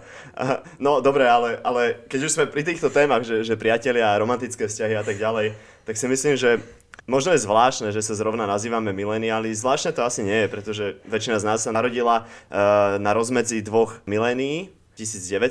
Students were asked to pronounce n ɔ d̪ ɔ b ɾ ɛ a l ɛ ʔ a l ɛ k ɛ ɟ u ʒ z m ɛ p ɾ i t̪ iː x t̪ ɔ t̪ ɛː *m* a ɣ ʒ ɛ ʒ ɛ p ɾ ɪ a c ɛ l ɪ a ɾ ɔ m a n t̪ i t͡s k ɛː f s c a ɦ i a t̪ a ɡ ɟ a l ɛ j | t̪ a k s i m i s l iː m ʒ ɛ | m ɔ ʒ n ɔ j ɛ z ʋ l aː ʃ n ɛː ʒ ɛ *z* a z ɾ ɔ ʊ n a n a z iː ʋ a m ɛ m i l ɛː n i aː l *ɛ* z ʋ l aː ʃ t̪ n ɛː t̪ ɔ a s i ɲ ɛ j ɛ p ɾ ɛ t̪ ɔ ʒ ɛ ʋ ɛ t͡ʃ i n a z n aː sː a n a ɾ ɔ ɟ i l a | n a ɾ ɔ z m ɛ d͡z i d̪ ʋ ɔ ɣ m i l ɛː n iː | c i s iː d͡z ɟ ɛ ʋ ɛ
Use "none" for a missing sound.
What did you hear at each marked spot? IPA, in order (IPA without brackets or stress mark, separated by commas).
m, s, i